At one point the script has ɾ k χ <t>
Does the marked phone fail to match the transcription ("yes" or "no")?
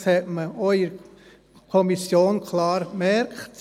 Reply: no